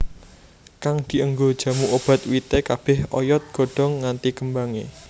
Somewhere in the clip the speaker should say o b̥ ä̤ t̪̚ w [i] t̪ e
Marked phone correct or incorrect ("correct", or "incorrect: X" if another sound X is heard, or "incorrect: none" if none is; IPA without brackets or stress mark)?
correct